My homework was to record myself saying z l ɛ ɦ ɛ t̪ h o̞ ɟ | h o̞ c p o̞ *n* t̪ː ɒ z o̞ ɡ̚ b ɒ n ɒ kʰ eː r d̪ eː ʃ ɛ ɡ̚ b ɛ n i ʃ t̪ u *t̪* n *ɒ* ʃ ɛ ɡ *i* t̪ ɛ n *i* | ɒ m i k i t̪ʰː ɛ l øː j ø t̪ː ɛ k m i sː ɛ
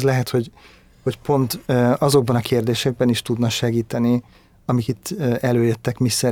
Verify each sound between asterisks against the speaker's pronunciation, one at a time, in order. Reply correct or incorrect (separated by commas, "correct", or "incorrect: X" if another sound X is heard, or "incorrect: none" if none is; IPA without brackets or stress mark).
correct, incorrect: d̪, correct, incorrect: iː, correct